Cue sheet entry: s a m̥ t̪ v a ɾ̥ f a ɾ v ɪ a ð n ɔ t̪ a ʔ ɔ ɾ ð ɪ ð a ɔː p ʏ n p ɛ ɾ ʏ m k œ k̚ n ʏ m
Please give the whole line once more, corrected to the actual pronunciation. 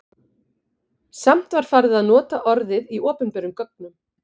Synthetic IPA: s a m̥ t̪ v a ɾ̥ f a ɾ ð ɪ a ð n ɔː t̪ a ʔ ɔ ɾ ð ɪ ð i ɔː p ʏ n p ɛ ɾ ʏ m k œ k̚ n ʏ m